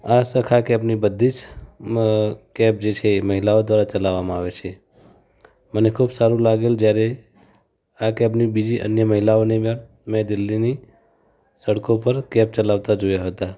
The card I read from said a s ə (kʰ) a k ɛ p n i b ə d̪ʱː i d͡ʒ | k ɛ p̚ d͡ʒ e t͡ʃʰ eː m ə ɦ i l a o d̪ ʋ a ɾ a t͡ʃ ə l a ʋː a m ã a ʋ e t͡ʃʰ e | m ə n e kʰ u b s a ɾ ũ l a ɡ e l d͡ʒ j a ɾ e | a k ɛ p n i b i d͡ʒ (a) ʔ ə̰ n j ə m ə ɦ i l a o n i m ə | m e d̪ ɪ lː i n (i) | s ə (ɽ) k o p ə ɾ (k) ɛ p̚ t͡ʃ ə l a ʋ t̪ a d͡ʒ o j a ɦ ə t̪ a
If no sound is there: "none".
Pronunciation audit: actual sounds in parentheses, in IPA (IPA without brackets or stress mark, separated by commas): kʰ, i, i, ɽ, k